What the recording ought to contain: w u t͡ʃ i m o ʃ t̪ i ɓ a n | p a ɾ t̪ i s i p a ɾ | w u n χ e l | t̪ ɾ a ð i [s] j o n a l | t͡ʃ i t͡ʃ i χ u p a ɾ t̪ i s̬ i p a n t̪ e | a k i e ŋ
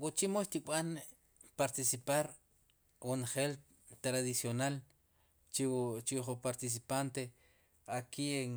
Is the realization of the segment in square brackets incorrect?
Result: no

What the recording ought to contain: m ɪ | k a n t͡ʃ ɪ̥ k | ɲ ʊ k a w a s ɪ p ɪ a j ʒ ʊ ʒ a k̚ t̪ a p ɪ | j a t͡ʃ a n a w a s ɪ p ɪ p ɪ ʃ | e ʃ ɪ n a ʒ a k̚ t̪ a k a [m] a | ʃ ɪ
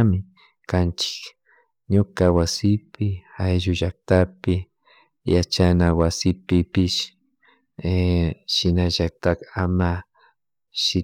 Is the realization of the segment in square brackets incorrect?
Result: no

